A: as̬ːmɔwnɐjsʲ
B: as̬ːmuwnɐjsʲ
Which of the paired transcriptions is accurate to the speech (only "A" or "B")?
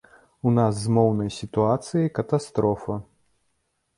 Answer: A